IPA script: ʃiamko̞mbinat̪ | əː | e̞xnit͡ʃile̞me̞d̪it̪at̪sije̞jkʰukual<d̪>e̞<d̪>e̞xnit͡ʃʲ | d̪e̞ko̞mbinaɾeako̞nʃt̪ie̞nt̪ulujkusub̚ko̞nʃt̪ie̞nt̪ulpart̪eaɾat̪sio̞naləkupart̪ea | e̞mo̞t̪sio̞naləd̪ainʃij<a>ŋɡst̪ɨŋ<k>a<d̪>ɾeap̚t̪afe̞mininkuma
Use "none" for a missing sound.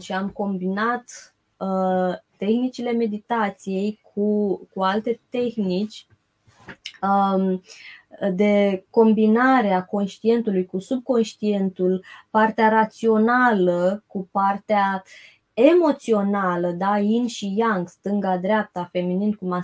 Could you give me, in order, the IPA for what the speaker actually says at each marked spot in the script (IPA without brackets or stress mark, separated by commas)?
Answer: t̪, t̪, a, ɡ, d̪